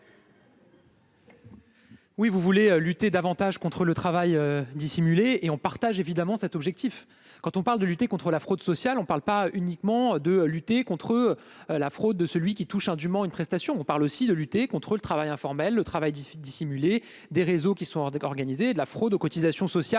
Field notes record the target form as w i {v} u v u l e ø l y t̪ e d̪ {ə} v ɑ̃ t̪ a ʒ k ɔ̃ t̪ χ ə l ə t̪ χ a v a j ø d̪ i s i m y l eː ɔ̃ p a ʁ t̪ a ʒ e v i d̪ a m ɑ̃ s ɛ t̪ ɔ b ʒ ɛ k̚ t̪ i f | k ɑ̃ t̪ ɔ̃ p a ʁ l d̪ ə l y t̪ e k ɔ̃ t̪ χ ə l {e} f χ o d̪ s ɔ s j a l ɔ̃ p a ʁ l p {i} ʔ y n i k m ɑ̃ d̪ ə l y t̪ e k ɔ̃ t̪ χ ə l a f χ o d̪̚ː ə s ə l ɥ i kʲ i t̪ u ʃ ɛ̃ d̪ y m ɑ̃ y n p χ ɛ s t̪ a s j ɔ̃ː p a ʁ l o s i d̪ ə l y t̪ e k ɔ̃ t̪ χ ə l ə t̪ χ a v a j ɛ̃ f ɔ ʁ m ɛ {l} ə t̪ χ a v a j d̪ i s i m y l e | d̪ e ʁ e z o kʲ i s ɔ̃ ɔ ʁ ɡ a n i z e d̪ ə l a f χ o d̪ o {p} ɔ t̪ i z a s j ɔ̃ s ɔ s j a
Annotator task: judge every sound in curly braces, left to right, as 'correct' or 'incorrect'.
correct, incorrect: a, incorrect: a, incorrect: a, incorrect: lː, incorrect: k

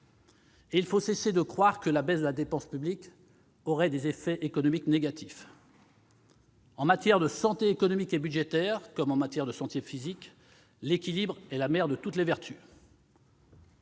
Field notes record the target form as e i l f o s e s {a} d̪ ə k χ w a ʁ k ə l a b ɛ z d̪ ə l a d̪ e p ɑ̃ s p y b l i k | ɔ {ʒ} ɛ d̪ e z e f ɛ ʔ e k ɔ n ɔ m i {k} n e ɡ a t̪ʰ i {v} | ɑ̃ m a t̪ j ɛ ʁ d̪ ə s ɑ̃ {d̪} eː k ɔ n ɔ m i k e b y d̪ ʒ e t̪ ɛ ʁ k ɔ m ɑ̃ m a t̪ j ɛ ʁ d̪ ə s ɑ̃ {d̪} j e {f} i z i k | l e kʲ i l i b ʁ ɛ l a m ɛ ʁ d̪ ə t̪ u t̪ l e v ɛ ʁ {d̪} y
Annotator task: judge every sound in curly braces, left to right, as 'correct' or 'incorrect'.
incorrect: e, incorrect: ʁ, correct, incorrect: f, incorrect: t̪, incorrect: t̪, correct, incorrect: t̪

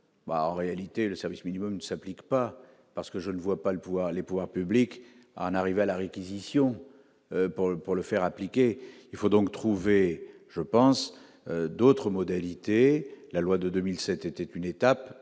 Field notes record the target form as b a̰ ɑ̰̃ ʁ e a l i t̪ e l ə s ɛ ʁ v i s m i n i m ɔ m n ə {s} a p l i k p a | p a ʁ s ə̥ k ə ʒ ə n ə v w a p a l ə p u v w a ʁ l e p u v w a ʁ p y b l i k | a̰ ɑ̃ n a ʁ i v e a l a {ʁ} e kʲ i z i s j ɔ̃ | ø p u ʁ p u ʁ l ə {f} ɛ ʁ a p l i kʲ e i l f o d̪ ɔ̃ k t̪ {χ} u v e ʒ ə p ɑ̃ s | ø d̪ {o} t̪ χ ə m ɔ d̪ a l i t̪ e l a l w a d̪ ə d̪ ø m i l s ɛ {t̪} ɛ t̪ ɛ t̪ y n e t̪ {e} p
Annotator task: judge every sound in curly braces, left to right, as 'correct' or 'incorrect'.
correct, correct, correct, correct, correct, correct, incorrect: a

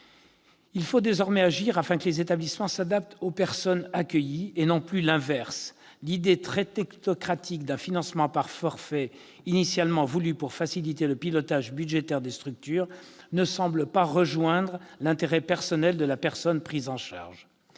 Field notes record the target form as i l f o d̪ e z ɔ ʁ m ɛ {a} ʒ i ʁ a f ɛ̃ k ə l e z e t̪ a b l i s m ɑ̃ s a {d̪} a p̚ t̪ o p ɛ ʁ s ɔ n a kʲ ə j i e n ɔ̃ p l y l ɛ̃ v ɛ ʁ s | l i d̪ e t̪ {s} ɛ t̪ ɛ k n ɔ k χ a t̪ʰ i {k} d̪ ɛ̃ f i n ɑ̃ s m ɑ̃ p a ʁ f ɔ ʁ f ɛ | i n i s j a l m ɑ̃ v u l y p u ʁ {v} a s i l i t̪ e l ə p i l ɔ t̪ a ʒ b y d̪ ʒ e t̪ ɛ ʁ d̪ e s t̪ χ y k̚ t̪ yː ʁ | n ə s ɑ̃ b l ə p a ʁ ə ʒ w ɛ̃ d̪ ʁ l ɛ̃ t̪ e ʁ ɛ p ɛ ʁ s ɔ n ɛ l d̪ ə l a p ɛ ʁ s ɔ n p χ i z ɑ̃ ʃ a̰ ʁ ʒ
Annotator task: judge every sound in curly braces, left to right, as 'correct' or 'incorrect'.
correct, correct, incorrect: χ, correct, incorrect: f

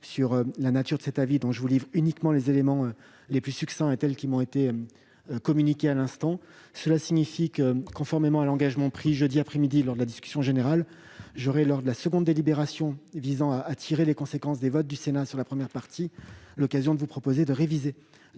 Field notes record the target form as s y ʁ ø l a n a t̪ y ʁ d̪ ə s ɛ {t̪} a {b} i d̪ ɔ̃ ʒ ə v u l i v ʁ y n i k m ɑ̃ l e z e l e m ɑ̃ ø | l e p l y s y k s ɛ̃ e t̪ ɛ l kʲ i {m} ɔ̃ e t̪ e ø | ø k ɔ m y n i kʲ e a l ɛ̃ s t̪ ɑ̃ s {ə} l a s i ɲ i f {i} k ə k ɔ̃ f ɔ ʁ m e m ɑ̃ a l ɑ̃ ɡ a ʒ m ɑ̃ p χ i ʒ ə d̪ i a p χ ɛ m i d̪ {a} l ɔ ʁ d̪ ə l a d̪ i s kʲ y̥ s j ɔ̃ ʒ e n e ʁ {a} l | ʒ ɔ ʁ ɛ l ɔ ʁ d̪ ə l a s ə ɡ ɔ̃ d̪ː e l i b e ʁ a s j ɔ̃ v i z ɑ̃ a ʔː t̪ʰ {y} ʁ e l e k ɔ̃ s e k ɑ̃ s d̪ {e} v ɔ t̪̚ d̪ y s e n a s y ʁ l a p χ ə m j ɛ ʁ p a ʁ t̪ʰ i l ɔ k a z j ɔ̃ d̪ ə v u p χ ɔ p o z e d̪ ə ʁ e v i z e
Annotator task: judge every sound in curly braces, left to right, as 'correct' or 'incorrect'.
correct, incorrect: v, correct, correct, correct, incorrect: i, correct, incorrect: i, correct

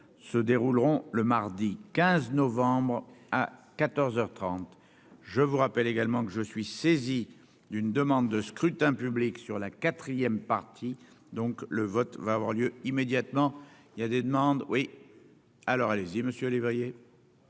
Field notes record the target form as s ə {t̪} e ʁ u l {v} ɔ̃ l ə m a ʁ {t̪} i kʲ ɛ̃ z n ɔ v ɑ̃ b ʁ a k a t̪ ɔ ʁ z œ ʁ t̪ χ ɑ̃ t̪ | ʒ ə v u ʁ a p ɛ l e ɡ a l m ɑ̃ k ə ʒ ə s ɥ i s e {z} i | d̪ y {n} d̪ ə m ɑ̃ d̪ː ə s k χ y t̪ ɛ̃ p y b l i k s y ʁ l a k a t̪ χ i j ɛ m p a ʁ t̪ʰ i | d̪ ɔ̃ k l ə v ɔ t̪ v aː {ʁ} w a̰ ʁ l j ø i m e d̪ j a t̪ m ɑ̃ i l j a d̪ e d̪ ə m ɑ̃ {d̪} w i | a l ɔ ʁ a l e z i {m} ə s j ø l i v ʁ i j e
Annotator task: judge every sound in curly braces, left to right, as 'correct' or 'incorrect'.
incorrect: d̪, incorrect: ʁ, incorrect: d̪, correct, correct, incorrect: v, correct, correct

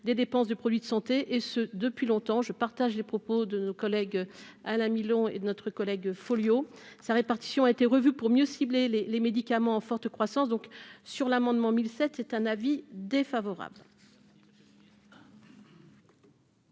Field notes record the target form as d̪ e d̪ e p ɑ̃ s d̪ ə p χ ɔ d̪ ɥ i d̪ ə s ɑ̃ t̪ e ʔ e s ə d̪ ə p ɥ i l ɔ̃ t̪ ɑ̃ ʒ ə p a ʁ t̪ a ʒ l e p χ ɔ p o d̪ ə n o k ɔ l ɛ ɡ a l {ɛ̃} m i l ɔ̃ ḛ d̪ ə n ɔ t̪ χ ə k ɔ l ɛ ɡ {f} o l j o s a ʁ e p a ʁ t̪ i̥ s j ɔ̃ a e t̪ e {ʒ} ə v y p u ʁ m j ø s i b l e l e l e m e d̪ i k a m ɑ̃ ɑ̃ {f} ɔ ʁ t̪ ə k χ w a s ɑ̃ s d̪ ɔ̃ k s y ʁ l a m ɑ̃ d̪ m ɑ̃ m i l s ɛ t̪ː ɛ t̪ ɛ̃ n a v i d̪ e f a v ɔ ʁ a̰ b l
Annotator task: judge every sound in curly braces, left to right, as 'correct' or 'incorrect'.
correct, correct, incorrect: ʁ, correct

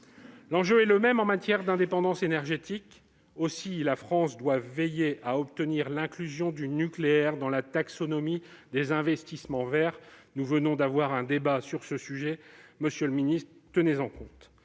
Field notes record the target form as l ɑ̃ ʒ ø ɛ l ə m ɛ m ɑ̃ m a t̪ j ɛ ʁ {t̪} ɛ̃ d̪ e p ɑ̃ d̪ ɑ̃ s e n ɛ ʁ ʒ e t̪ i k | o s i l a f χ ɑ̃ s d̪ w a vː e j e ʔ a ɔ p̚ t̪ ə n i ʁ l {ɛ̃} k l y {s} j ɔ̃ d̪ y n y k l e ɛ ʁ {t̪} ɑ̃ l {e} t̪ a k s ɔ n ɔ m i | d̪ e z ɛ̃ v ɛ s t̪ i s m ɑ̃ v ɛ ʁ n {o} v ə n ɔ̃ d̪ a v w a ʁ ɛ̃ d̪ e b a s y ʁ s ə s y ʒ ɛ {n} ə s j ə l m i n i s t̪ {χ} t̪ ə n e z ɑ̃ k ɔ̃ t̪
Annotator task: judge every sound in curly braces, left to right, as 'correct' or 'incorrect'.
incorrect: d̪, correct, incorrect: z, incorrect: d̪, incorrect: a, incorrect: u, incorrect: m, correct

